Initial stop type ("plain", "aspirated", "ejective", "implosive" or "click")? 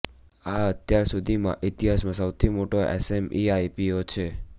plain